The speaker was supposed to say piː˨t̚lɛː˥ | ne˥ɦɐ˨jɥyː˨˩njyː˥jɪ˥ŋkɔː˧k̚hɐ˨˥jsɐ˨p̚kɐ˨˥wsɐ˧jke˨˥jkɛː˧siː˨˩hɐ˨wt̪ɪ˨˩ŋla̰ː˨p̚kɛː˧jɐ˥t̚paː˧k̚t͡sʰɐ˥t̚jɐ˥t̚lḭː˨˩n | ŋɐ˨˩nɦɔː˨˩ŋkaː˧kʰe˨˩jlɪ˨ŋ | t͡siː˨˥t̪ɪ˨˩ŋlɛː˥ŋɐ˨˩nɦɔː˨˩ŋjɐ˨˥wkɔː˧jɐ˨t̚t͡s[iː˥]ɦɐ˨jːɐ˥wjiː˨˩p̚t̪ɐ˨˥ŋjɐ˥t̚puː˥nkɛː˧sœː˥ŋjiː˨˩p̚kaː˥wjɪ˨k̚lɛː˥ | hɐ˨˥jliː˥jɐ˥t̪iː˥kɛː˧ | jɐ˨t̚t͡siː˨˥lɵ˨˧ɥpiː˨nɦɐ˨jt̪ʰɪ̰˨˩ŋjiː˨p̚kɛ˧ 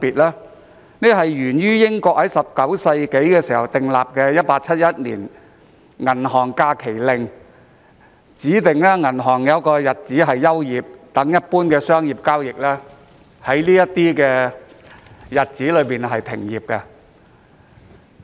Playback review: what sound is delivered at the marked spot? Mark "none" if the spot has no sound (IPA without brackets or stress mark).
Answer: iː˨˥